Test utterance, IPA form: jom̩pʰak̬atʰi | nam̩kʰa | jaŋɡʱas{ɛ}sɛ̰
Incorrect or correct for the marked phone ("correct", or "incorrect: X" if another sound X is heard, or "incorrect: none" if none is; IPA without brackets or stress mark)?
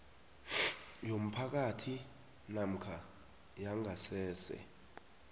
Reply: incorrect: ɛː